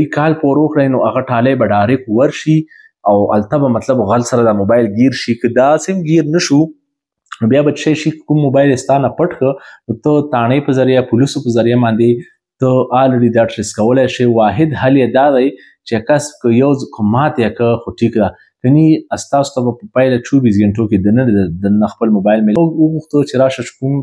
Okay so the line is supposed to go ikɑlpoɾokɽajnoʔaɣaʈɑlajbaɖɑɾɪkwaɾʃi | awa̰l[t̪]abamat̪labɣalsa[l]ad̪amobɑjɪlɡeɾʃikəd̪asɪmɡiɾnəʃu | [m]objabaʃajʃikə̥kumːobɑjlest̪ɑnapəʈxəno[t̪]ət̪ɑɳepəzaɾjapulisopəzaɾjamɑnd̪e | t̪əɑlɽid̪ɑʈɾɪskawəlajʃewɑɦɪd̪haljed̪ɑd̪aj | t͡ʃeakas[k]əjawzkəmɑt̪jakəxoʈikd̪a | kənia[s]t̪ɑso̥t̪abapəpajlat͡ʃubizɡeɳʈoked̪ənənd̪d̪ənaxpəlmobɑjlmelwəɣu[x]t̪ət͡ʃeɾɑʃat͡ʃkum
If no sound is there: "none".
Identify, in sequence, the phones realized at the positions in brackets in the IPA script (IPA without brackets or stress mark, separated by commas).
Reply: t̪, ɾ, n, t̪, k, s, x